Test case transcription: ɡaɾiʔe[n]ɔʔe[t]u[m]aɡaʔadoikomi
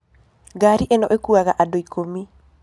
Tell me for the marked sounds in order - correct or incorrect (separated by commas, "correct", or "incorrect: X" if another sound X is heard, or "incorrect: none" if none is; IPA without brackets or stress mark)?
correct, incorrect: k, incorrect: none